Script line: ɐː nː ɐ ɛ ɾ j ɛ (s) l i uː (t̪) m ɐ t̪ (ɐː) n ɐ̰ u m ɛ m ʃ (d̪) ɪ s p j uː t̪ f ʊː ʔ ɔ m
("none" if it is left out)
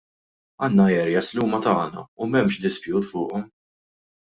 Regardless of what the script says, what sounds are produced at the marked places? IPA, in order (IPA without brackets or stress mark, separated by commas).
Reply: s, none, ɐː, d̪